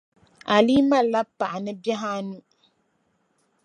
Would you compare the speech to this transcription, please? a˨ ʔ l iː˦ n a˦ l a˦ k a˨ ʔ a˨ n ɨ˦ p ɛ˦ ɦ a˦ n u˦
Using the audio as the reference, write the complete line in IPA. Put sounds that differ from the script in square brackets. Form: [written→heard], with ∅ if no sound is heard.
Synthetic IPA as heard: a˨ [ʔ→∅] l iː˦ [n→m] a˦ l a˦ [k→p] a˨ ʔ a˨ n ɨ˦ [p→b] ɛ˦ ɦ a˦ n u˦